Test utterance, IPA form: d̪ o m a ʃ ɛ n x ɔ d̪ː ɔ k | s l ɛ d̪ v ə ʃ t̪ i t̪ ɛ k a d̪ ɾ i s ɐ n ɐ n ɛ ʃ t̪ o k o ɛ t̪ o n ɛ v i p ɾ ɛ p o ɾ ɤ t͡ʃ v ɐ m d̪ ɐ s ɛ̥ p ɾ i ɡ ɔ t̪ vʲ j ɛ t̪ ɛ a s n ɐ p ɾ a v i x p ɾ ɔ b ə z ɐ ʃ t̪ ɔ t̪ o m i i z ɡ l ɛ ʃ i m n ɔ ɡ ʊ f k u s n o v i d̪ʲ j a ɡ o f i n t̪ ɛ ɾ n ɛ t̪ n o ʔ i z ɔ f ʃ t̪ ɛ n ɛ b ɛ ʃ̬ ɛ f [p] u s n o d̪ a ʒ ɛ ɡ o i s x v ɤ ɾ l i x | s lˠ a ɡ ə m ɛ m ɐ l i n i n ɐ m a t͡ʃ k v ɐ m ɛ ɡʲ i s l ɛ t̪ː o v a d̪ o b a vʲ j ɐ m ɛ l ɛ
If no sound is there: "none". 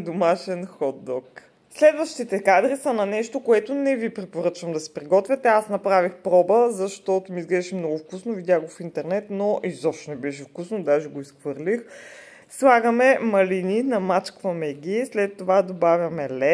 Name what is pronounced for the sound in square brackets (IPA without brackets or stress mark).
k